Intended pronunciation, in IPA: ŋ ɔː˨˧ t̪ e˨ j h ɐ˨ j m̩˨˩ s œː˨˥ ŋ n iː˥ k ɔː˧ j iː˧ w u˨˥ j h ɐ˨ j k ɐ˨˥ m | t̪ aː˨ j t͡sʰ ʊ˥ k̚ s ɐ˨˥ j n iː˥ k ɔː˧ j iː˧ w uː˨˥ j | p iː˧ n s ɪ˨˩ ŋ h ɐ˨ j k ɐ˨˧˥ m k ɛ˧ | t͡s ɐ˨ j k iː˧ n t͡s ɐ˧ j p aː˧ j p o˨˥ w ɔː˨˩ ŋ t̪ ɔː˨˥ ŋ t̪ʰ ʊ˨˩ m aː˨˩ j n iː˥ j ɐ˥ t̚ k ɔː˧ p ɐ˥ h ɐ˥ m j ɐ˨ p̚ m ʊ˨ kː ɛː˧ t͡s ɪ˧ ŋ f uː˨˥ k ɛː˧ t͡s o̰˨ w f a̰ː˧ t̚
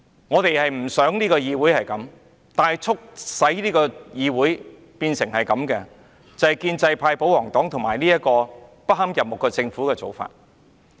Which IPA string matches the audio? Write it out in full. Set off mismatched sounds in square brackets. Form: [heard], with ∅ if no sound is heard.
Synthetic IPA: ŋ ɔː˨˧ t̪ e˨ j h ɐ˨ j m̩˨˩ s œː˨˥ ŋ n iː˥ k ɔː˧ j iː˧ w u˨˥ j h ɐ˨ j k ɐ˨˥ m | t̪ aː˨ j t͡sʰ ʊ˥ k̚ s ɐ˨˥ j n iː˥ k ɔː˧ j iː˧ w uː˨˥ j | p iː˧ n s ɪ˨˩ ŋ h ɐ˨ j k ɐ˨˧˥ m k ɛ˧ | t͡s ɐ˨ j k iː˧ n t͡s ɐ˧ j [pʰ] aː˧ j p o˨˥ w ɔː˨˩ ŋ t̪ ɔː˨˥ ŋ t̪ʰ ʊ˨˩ m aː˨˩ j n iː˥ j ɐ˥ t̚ k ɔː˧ p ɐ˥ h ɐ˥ m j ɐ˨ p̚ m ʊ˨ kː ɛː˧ t͡s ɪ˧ ŋ f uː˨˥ k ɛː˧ t͡s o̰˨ w f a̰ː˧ t̚